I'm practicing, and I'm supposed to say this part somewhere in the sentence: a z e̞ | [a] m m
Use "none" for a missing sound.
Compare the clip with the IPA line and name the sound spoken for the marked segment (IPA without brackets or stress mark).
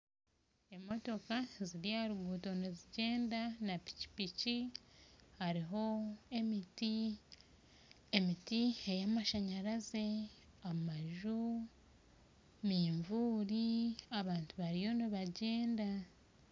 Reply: a